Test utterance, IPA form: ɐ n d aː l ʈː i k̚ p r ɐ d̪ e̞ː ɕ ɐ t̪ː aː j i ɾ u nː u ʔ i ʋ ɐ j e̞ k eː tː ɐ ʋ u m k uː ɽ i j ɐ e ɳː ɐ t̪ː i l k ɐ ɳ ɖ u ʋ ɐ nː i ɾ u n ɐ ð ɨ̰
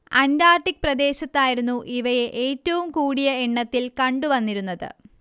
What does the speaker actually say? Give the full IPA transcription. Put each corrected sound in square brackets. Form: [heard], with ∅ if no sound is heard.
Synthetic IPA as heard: ɐ n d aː [r] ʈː i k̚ p r ɐ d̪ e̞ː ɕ ɐ t̪ː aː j i ɾ u nː u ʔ i ʋ ɐ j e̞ [ʔ] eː tː ɐ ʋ u m k uː ɽ i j ɐ e ɳː ɐ t̪ː i l k ɐ ɳ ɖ u ʋ ɐ nː i ɾ u [nː] ɐ ð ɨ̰